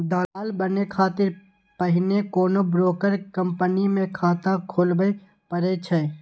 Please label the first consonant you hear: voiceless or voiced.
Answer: voiced